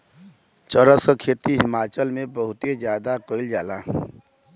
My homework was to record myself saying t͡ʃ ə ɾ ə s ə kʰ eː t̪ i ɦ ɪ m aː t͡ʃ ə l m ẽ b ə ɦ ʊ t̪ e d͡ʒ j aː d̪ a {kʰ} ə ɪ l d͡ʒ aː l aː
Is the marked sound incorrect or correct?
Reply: incorrect